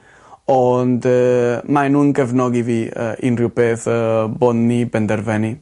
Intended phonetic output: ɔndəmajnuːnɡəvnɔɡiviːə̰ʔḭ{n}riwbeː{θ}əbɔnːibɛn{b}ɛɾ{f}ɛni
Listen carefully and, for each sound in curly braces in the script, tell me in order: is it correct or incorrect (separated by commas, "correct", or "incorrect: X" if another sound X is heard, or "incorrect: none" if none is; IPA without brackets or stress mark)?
correct, correct, incorrect: d, incorrect: v